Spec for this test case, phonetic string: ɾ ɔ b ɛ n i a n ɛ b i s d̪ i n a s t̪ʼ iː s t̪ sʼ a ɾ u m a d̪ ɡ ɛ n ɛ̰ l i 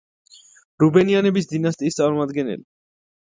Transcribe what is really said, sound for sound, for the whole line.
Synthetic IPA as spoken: ɾ u b ɛ n i a n ɛ b i s d̪ i n a s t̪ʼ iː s t̪ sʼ a ɾ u m a d̪ ɡ ɛ n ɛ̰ l i

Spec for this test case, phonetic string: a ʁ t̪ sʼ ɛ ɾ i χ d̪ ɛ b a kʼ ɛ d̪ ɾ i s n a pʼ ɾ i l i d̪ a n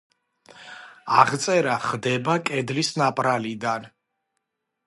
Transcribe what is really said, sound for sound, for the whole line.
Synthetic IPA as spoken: a ʁ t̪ sʼ ɛ ɾ a χ d̪ ɛ b a kʼ ɛ d̪ l i s n a pʼ ɾ a l i d̪ a n

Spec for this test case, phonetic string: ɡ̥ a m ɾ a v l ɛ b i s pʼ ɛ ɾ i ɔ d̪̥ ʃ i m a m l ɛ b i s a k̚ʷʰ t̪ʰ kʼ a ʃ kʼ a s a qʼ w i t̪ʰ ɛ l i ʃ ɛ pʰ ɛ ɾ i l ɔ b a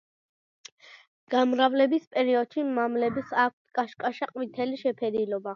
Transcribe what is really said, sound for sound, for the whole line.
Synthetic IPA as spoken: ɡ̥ a m ɾ a v l ɛ b i s pʼ ɛ ɾ i ɔ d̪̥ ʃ i m a m l ɛ b i s a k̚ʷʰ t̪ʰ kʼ a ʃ kʼ a ʃ a qʼ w i t̪ʰ ɛ l i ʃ ɛ pʰ ɛ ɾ i l ɔ b a

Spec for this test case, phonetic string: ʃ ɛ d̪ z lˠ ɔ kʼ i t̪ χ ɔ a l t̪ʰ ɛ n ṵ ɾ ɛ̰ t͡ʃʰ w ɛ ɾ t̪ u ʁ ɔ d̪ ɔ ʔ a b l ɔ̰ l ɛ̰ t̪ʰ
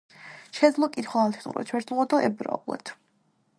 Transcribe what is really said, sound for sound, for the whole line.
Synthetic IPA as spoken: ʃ ɛ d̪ z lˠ ɔ kʼ i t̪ χ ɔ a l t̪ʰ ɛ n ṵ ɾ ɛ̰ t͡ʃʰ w ɛ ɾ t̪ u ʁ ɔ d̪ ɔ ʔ ɛ b ɾ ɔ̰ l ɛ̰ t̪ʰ

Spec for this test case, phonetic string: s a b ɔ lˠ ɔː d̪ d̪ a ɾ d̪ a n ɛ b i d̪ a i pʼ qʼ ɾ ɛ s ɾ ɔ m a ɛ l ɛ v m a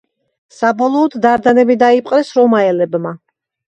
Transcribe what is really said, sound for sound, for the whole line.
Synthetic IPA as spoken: s a b ɔ lˠ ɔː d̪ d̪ a ɾ d̪ a n ɛ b i d̪ a i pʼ qʼ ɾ ɛ s ɾ ɔ m a ɛ l ɛ b m a

